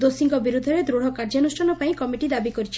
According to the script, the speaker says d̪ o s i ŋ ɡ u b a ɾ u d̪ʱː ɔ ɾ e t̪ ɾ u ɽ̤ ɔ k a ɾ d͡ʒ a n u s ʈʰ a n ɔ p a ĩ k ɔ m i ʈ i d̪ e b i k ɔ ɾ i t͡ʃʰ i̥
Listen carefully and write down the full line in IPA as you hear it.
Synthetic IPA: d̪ o s i ŋ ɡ ɔ b i ɾ u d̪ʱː ɔ ɾ e d̪ ɾ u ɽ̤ ɔ k a ɾ d͡ʒ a n u s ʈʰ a n ɔ p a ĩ k ɔ m i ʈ i d̪ a b i k ɔ ɾ i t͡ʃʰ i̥